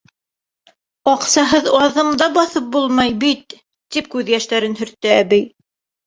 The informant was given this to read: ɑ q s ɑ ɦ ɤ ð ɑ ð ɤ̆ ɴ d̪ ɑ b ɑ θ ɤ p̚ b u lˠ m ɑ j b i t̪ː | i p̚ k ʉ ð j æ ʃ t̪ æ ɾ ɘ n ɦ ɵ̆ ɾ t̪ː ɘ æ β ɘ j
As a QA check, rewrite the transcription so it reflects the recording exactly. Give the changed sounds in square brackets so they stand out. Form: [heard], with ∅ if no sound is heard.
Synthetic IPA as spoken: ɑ q s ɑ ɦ ɤ ð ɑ ð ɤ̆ ɴ d̪ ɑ b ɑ θ ɤ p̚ b u lˠ m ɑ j b i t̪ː | i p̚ k ʉ ð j æ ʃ t̪ æ ɾ ɘ n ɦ ɵ̆ ɾ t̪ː ɘ æ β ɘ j